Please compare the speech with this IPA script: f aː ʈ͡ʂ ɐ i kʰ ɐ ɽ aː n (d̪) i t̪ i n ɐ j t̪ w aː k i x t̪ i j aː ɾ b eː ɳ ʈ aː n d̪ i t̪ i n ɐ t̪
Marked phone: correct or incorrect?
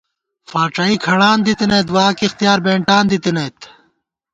correct